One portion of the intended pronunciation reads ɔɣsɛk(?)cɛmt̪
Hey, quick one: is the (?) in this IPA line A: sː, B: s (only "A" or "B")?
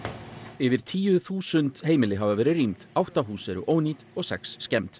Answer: A